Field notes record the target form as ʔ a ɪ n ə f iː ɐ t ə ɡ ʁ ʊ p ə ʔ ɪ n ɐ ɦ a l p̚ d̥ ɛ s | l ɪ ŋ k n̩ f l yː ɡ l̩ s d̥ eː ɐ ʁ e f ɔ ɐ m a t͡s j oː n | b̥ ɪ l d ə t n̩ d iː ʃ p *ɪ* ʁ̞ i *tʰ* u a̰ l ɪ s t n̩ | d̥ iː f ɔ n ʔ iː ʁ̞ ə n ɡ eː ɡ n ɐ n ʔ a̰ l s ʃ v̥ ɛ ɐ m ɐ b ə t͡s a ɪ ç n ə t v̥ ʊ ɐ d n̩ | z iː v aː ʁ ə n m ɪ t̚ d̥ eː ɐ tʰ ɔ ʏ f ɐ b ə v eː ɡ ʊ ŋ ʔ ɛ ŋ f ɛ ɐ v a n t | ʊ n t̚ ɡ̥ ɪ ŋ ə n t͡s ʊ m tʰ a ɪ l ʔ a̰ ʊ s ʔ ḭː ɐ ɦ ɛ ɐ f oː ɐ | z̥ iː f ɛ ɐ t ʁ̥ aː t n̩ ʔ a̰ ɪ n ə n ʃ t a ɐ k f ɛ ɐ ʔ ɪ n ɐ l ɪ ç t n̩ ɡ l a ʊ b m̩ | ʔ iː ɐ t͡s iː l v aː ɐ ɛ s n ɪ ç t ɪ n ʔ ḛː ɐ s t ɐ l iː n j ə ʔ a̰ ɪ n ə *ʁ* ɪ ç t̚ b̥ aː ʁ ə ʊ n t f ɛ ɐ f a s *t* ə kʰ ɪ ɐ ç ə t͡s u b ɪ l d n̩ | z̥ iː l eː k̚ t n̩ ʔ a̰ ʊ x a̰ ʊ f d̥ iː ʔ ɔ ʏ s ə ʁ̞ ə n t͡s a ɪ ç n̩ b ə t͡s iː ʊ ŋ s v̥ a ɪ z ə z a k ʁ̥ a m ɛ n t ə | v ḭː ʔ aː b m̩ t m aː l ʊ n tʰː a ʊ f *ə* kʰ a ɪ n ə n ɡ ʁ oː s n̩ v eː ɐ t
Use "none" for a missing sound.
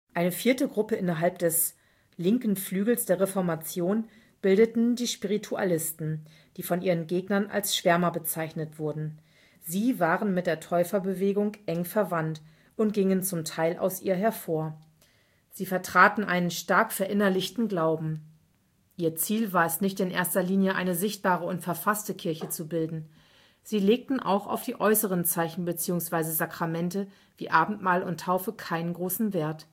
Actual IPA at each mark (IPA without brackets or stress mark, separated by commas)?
i, tʰ, z, t, ə